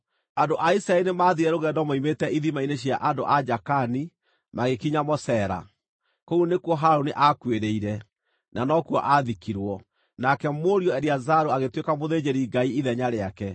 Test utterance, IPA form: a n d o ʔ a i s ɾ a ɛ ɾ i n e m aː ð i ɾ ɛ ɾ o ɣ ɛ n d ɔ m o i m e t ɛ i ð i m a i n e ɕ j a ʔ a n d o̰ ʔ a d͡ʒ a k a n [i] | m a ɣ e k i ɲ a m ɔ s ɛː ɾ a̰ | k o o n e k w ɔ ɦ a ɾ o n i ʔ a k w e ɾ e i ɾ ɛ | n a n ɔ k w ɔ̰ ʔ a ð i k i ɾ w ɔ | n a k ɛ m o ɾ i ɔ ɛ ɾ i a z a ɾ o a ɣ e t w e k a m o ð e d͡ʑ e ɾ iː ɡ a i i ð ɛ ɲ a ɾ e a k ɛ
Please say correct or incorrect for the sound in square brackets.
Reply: correct